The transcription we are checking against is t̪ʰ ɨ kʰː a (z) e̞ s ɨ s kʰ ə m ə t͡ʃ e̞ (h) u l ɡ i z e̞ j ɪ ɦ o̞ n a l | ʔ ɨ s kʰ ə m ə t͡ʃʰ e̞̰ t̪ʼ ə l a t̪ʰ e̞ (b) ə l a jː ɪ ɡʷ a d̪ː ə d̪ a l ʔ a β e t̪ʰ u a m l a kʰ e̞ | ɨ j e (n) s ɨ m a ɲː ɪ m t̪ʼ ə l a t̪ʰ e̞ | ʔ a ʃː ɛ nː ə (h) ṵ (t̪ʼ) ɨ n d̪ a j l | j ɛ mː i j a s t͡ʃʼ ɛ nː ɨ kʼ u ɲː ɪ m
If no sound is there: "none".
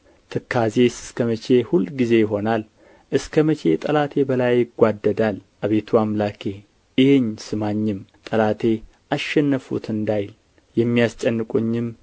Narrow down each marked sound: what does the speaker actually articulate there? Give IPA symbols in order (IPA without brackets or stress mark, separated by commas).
z, h, b, ɲ, f, t̪